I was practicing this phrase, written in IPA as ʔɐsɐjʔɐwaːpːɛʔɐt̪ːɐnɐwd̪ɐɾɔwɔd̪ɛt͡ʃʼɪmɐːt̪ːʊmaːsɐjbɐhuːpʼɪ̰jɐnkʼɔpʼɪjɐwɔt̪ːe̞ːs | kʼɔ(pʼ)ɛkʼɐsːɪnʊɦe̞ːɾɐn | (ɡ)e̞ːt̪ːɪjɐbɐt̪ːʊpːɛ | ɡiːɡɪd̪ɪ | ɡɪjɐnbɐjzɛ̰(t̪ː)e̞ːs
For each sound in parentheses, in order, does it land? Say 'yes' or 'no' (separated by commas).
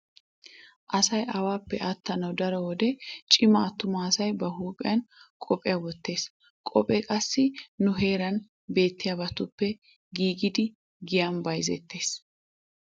yes, no, yes